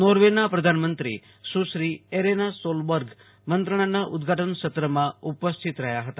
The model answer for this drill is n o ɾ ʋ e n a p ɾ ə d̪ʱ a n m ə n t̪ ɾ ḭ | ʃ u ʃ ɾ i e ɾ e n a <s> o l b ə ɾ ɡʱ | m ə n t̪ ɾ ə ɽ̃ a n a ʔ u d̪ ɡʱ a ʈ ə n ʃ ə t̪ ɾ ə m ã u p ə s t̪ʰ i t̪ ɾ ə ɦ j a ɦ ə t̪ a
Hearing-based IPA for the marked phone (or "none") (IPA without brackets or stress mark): s